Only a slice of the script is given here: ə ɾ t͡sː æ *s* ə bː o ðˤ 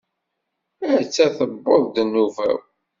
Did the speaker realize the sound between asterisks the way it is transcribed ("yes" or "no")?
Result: no